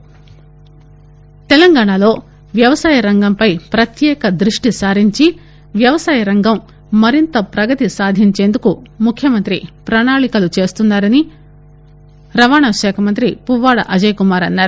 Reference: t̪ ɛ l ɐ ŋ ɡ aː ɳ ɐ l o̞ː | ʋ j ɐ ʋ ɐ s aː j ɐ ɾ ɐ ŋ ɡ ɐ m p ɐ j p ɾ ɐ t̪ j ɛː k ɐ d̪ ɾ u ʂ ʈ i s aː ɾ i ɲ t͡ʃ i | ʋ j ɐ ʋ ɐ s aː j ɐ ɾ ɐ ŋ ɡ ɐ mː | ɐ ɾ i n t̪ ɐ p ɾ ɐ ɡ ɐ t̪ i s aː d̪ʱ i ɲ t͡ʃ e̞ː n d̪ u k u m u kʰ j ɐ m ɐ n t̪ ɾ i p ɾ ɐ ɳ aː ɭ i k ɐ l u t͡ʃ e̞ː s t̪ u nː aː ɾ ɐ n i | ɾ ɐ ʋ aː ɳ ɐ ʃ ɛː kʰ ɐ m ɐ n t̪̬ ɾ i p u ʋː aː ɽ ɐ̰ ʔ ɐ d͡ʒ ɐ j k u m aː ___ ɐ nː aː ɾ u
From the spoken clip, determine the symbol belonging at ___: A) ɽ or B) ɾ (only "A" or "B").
B